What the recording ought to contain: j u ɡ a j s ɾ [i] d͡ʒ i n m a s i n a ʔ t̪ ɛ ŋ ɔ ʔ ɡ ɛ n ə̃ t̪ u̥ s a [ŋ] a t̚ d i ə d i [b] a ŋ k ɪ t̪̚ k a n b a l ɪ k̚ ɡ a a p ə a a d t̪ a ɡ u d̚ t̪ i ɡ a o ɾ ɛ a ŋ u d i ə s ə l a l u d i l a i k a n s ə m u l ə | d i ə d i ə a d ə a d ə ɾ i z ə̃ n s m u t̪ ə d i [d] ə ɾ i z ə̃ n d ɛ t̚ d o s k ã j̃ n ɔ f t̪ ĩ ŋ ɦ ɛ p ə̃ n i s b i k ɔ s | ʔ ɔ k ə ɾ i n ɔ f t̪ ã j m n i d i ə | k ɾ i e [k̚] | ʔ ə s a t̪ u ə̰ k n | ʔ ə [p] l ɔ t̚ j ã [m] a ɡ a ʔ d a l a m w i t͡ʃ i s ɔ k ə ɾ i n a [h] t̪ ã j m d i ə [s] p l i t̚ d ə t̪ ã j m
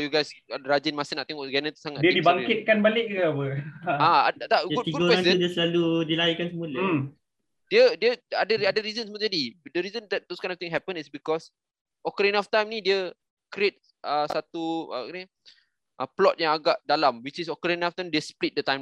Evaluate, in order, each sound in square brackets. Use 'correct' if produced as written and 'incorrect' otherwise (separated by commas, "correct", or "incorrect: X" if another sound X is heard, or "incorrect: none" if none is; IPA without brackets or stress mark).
incorrect: a, correct, correct, correct, incorrect: t̚, correct, incorrect: ŋ, incorrect: f, correct